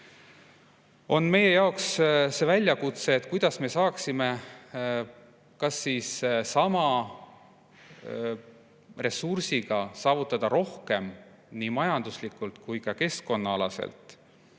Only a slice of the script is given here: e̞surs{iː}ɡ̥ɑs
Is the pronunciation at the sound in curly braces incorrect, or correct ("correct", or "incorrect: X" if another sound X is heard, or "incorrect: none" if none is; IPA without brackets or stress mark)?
incorrect: i